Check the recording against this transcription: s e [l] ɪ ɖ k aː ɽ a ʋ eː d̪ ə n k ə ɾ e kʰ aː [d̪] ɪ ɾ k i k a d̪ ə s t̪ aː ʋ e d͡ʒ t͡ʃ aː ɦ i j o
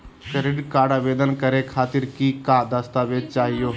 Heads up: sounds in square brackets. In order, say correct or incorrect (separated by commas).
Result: incorrect, incorrect